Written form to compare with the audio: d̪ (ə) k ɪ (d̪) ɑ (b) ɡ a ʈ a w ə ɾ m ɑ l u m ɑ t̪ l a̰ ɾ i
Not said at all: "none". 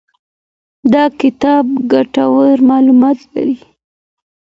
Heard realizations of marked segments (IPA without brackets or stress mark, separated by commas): ɑ, t̪, b